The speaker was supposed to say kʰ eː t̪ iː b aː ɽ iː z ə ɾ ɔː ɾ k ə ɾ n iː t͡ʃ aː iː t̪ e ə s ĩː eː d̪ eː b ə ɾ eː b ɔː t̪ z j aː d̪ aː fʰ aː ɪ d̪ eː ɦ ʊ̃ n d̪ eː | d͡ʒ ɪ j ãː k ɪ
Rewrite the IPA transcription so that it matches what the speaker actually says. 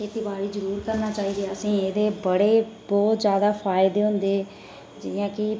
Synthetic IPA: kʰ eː t̪ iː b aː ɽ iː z ə ɾ uː ɾ k ə ɾ n aː t͡ʃ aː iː d̪ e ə s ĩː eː d̪ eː b ə ɽ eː b ɔː t̪ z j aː d̪ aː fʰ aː ɪ d̪ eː ɦ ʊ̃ n d̪ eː | d͡ʒ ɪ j ãː k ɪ